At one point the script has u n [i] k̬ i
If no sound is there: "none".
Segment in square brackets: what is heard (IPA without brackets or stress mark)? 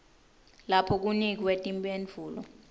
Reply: i